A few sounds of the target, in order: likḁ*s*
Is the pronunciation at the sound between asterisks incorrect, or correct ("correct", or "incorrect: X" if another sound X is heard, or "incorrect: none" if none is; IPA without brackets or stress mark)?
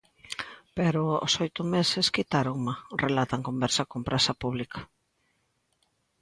incorrect: none